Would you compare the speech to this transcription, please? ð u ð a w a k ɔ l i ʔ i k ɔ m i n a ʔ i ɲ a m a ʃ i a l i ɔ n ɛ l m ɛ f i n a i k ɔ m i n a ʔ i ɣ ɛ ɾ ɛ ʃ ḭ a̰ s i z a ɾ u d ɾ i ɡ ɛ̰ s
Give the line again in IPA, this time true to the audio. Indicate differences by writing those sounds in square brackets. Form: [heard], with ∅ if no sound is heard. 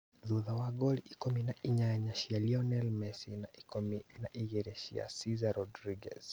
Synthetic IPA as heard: ð u ð a w a [ɡ] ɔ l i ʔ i k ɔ m i n a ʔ i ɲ a [ɲ] a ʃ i a l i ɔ n ɛ l m ɛ [s] i n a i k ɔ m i n a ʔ i ɣ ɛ ɾ ɛ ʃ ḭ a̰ s i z a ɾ [ɔ] d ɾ i ɡ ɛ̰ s